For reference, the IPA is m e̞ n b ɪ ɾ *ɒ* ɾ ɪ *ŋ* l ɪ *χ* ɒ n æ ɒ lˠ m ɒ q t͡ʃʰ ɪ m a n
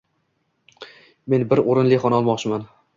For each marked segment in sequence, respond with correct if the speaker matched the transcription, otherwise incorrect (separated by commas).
incorrect, incorrect, correct